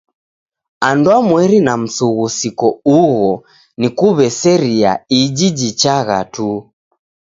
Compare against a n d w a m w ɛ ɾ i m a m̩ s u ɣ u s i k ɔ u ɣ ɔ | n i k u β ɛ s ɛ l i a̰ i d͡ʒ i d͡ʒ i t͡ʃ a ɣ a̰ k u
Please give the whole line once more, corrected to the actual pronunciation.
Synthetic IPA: a n d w a m w ɛ ɾ i n a m̩ s u ɣ u s i k ɔ u ɣ ɔ | n i k u β ɛ s ɛ ɾ i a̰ i d͡ʒ i d͡ʒ i t͡ʃ a ɣ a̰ t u